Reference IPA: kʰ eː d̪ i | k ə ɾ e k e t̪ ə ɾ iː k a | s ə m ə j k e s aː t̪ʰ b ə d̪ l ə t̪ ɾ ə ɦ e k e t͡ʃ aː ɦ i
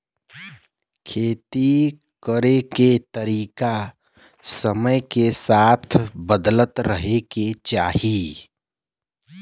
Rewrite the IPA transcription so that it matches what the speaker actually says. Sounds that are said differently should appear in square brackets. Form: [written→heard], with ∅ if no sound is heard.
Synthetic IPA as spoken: kʰ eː [d̪→t̪] i | k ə ɾ e k e t̪ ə ɾ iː k a | s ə m ə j k e s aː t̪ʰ b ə d̪ l ə t̪ ɾ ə ɦ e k e t͡ʃ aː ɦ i